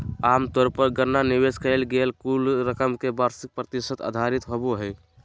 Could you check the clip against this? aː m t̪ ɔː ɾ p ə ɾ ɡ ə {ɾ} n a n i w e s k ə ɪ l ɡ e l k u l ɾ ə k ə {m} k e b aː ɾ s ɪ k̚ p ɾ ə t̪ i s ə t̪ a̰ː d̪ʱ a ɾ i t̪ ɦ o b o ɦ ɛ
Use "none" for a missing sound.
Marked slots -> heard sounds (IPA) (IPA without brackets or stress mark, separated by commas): ɾ, m